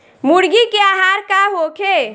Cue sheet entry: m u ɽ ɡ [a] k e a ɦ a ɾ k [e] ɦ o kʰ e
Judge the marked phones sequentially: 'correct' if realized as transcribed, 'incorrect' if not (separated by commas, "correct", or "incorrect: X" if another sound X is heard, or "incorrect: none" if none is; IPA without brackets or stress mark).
incorrect: i, incorrect: a